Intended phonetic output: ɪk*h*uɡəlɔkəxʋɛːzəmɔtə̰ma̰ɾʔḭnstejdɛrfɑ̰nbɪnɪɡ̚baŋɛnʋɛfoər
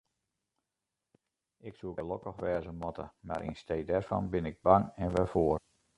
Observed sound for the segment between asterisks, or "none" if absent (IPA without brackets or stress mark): s